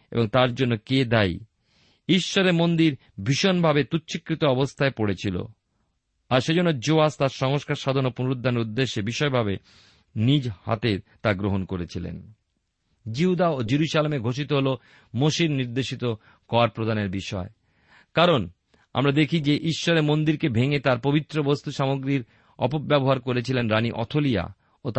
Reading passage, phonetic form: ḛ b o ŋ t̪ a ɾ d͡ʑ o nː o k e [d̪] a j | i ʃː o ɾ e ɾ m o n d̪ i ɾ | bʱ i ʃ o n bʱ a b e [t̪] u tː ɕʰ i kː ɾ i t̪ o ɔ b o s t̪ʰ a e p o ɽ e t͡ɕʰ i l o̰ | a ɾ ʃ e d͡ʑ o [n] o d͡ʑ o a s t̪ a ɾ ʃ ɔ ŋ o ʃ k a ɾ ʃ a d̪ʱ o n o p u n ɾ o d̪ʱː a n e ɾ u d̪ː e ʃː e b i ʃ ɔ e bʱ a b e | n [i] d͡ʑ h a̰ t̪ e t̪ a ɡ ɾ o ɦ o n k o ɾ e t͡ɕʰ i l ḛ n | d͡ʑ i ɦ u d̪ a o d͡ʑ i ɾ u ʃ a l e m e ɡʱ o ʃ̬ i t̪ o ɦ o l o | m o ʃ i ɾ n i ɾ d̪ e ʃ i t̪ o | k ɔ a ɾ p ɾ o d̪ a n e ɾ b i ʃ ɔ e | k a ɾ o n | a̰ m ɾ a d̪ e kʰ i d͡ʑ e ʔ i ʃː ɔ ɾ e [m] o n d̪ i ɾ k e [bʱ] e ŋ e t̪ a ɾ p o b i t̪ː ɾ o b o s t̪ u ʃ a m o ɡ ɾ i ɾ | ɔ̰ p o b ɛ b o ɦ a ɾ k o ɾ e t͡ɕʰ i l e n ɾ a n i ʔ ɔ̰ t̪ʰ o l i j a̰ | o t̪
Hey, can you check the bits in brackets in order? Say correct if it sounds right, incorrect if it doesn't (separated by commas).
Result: correct, correct, incorrect, correct, correct, correct